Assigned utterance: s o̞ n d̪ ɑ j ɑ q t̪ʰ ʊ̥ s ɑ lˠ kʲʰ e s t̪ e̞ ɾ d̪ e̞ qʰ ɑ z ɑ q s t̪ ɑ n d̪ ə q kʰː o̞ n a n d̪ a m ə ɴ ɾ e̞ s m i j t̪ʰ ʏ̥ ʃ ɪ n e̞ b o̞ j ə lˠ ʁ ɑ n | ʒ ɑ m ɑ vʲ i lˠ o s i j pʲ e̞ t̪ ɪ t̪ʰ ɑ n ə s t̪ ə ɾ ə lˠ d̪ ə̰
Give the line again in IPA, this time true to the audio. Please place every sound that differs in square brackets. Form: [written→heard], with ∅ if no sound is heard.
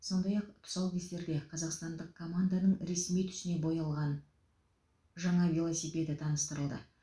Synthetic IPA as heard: s o̞ n d̪ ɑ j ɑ q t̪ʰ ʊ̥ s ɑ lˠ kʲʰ e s t̪ e̞ ɾ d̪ e̞ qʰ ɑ z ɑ q s t̪ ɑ n d̪ ə q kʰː o̞ [n→m] a n d̪ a [m→n] ə ɴ ɾ e̞ s m i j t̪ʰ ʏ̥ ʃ ɪ n e̞ b o̞ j [ə→ɑ] lˠ ʁ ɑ n | ʒ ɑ [m→ɴ] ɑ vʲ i lˠ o s i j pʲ e̞ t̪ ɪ t̪ʰ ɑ n ə s t̪ ə ɾ ə lˠ d̪ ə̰